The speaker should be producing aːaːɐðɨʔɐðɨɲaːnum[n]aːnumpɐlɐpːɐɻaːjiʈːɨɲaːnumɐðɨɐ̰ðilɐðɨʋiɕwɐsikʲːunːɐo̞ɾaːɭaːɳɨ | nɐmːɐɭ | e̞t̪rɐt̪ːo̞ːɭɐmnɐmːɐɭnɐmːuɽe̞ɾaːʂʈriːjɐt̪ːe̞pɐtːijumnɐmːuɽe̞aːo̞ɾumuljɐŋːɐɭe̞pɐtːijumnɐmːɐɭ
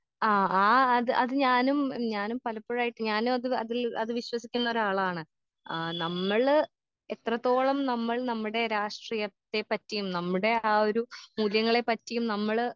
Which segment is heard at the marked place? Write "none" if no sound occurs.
ɲ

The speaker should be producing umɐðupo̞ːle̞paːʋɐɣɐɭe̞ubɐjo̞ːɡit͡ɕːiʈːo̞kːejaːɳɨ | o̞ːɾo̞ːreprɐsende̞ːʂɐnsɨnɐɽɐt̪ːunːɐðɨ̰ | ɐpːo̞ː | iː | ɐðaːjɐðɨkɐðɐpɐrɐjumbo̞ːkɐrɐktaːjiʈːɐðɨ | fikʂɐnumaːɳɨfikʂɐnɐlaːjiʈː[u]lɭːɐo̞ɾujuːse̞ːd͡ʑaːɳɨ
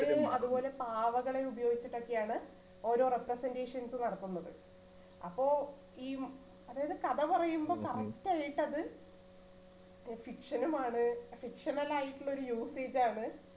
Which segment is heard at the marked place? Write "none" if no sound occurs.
u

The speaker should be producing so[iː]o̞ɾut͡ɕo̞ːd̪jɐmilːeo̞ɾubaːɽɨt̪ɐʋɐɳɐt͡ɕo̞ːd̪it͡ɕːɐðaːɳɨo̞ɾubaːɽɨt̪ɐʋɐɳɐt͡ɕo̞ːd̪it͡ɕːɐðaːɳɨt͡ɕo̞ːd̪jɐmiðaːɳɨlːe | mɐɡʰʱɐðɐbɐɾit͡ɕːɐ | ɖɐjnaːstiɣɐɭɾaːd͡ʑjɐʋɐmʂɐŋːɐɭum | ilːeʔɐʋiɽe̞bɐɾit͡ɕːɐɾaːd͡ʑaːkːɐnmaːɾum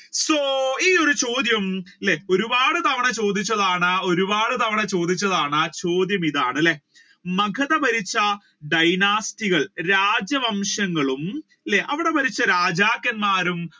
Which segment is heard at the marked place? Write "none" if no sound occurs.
iː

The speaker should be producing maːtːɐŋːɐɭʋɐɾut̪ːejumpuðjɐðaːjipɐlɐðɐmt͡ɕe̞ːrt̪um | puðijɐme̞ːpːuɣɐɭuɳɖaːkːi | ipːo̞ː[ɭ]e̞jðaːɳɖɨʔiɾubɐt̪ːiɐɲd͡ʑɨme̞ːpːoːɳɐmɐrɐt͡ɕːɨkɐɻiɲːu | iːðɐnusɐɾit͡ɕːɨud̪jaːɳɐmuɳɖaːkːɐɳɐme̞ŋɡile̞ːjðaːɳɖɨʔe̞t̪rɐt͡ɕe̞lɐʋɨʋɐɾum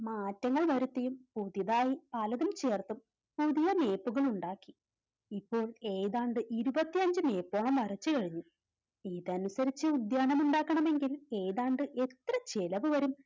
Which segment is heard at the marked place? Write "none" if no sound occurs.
ɭ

